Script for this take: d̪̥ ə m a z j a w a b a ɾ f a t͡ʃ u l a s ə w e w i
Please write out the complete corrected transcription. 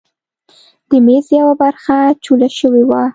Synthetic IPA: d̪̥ ə m e z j a w a b a ɾ x a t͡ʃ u l a ʃ ə w e w a